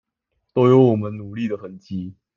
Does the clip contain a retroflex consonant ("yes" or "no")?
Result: no